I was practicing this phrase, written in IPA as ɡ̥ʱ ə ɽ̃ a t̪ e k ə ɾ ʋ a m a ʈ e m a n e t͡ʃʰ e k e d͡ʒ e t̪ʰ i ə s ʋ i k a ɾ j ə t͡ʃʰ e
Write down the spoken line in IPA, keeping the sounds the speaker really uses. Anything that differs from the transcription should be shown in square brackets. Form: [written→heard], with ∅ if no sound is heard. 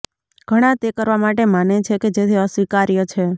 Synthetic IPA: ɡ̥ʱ ə ɽ̃ a t̪ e k ə ɾ ʋ a m a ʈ e m a n e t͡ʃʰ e k e d͡ʒ e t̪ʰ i ə s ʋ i k a ɾ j ə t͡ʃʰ e